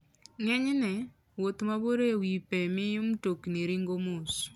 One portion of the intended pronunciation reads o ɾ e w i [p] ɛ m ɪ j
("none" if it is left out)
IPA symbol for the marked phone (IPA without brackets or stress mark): p